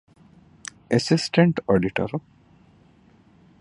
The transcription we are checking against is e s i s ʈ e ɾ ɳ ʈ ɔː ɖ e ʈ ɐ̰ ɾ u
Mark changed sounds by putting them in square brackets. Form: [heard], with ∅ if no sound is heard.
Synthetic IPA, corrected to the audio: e s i s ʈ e [∅] ɳ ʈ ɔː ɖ [i] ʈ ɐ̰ ɾ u